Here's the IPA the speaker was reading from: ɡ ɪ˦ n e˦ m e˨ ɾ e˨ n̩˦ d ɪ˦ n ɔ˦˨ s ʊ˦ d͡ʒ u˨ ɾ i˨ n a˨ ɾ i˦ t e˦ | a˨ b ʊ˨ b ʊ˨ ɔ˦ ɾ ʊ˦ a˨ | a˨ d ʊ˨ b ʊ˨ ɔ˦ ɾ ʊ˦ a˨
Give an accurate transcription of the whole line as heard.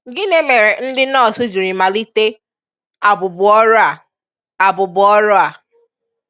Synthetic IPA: ɡ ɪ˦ n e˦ m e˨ ɾ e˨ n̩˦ d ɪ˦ n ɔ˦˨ s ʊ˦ d͡ʒ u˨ ɾ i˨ m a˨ l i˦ t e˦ | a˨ b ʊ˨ b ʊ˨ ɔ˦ ɾ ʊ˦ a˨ | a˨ b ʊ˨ b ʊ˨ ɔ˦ ɾ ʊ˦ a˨